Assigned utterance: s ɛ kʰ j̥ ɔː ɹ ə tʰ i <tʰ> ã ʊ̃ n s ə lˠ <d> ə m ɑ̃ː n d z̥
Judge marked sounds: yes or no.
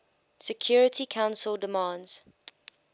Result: no, yes

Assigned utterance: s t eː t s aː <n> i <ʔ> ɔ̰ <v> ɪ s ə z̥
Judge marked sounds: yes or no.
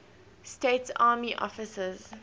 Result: no, yes, no

